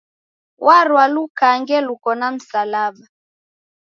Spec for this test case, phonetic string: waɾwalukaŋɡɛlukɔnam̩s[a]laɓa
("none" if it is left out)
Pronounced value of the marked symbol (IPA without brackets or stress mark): a